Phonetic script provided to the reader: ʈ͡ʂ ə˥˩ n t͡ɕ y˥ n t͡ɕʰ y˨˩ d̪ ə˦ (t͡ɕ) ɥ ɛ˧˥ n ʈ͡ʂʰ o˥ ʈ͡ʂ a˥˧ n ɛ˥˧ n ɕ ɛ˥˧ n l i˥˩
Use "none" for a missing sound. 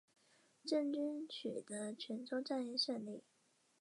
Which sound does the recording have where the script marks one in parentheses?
t͡ɕʰ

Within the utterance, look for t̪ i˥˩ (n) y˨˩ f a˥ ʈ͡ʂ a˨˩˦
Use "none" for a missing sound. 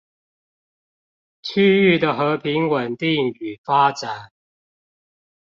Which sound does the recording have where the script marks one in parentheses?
ŋ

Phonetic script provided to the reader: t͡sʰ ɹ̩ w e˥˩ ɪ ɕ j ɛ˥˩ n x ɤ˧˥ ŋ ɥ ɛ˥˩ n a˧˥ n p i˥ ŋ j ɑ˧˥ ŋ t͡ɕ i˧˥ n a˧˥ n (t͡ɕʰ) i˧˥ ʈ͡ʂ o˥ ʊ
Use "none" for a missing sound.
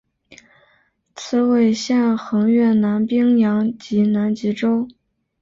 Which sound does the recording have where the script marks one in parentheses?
t͡ɕ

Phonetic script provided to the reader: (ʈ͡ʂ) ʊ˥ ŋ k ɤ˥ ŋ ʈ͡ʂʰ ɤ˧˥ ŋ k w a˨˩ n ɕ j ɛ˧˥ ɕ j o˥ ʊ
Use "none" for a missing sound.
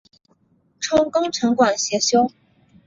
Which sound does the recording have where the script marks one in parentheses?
ʈ͡ʂʰ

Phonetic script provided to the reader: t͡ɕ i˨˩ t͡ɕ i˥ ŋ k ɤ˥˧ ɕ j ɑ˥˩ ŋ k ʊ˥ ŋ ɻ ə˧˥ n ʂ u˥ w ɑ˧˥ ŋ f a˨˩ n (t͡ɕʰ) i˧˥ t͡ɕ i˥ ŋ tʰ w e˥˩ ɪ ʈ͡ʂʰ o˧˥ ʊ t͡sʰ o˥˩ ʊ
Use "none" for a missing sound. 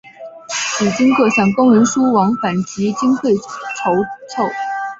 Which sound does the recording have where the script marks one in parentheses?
t͡ɕ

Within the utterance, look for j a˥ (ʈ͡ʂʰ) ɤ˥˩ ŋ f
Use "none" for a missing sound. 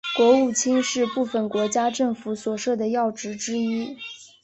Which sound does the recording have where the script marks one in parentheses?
ʈ͡ʂ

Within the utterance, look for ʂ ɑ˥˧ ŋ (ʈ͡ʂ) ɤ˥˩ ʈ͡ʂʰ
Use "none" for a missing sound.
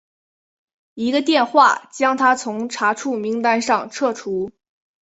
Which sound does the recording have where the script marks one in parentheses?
ʈ͡ʂʰ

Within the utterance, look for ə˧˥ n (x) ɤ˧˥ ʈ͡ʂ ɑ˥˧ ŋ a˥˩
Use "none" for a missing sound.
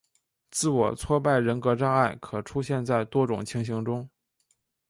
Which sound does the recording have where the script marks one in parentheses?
k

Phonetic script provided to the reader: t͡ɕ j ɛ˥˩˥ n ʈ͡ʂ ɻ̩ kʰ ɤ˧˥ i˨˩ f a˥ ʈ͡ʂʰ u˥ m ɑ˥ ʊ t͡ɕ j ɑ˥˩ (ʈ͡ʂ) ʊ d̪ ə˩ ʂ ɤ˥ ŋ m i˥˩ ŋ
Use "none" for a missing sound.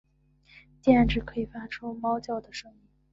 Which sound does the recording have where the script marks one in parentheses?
none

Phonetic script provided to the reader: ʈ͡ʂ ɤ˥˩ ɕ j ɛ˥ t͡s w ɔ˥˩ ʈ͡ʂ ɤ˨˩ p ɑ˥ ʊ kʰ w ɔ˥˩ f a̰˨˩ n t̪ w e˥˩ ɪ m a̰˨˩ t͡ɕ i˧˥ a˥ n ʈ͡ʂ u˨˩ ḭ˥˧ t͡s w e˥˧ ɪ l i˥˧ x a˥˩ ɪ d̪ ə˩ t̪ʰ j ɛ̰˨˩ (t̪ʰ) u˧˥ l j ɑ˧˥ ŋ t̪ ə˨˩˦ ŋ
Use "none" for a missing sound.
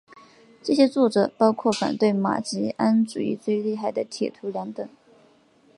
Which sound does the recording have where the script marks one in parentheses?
t̪ʰ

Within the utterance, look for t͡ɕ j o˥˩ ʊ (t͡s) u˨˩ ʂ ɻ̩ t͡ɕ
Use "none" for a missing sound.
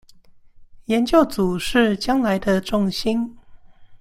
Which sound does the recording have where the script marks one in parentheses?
t͡s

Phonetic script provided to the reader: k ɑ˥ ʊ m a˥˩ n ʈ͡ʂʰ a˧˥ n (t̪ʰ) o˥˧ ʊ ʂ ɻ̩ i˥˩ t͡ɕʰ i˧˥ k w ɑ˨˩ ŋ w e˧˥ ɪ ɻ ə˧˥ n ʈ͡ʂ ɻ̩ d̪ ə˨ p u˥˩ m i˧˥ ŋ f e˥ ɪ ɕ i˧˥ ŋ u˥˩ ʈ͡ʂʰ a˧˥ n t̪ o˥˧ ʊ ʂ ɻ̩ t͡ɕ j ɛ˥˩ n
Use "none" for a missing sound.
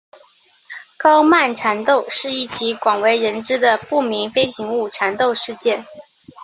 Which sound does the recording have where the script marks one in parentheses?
t̪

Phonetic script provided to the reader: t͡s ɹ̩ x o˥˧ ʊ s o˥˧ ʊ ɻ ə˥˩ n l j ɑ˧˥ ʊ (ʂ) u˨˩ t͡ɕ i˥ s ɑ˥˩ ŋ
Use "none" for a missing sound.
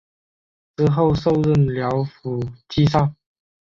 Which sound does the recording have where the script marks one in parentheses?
f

